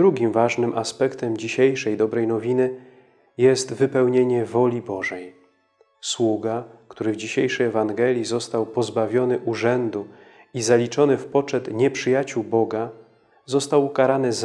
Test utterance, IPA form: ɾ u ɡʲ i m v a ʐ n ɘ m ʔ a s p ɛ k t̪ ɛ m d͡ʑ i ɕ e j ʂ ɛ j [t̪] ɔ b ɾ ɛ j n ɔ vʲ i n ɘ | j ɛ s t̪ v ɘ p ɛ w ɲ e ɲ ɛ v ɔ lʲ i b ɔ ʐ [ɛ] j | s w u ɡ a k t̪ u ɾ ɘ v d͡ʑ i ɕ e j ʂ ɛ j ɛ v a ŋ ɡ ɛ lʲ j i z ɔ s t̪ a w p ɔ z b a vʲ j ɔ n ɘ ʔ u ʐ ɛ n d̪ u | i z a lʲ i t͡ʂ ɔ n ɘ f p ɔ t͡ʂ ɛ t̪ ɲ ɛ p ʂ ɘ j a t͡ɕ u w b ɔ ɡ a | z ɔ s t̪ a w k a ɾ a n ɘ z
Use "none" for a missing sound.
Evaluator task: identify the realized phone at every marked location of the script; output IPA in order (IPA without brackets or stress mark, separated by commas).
d̪, ɛ